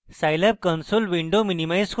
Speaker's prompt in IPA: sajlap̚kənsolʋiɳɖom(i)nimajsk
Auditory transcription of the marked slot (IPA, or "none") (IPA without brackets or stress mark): i